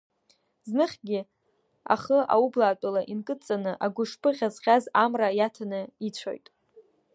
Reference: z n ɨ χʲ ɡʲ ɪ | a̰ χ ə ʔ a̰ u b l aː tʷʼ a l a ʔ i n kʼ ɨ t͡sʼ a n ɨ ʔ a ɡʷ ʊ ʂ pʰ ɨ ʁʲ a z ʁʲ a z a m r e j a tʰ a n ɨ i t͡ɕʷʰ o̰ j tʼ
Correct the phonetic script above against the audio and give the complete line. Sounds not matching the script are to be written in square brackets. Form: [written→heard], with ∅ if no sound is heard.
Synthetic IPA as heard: z n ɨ χʲ ɡʲ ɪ | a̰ χ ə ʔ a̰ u b l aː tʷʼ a l a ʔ i n kʼ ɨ t͡sʼ a n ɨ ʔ a ɡʷ ʊ ʂ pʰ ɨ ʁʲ a z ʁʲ a z a m r [e→a] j a tʰ a n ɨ i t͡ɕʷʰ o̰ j tʼ